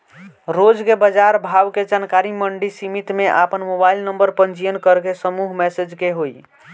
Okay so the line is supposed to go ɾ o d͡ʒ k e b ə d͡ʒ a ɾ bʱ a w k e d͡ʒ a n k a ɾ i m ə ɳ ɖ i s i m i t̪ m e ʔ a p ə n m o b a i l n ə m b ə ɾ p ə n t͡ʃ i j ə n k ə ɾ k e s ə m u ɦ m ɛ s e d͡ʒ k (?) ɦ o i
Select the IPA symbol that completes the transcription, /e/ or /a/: e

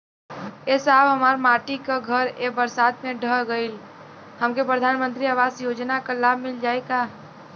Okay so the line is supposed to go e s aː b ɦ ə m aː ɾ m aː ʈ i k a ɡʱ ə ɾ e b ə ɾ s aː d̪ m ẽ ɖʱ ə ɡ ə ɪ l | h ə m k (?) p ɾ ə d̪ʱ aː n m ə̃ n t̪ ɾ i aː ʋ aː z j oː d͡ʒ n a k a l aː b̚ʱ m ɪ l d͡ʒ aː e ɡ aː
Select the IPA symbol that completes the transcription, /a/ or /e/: e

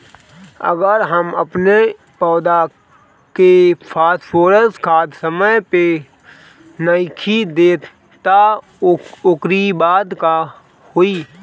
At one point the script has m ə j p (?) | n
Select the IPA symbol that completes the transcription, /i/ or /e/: e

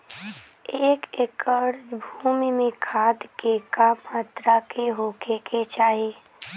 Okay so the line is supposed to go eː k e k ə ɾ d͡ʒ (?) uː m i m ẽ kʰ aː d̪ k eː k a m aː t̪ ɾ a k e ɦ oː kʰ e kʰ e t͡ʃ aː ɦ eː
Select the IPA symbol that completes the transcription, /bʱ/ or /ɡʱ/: bʱ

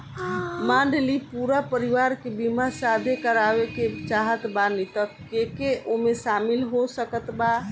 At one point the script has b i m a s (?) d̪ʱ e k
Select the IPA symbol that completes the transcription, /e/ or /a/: a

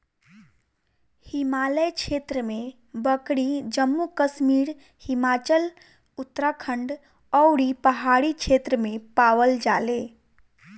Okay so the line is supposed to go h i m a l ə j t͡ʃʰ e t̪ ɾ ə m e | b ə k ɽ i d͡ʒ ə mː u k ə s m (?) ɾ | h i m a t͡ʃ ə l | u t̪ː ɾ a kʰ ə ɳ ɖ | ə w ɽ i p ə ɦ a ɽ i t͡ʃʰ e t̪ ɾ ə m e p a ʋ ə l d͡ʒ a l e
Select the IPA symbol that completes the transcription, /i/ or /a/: i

